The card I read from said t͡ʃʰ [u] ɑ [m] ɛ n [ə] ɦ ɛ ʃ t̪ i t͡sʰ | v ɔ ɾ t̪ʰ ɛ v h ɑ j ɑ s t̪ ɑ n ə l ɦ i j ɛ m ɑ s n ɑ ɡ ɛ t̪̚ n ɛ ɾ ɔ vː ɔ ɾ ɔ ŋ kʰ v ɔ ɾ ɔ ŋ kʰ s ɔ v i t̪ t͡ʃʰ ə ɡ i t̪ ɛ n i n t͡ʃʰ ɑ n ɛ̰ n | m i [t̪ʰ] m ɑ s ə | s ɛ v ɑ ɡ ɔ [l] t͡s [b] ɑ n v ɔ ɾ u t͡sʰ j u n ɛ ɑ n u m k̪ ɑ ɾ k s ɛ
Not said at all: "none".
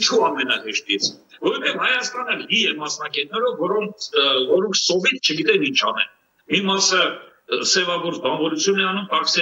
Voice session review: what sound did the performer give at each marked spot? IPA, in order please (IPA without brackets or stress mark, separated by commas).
u, m, ɑ, none, ɾ, b